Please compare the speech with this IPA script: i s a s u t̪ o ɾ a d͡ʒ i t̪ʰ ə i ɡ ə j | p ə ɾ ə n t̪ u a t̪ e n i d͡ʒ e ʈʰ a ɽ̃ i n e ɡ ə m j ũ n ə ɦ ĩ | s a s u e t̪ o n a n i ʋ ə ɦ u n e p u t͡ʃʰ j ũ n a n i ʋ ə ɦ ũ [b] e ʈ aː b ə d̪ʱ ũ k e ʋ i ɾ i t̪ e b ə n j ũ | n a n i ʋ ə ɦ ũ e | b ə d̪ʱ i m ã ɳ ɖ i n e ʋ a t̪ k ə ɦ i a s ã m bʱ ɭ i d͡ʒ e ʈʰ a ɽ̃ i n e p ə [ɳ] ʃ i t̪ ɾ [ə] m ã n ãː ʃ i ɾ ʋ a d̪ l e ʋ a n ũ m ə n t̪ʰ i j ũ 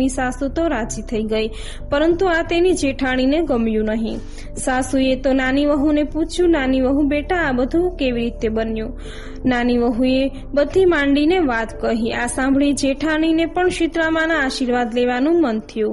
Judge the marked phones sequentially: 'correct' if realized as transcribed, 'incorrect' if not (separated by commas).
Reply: correct, correct, incorrect